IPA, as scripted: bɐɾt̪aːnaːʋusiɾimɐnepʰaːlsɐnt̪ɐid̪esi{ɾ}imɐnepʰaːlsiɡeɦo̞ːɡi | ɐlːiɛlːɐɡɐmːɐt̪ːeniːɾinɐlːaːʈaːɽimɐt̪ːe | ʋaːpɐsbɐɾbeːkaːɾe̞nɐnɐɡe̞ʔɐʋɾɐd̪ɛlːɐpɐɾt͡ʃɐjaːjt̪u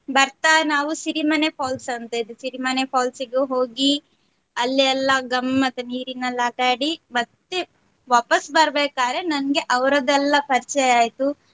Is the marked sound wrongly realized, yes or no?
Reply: no